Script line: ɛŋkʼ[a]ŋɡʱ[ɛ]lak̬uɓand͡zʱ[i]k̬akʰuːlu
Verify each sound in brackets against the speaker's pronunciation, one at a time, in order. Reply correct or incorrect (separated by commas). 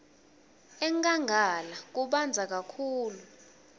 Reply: correct, incorrect, incorrect